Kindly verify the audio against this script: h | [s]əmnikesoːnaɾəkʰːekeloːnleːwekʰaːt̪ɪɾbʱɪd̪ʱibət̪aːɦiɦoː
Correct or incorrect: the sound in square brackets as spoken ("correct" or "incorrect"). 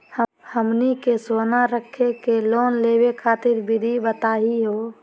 incorrect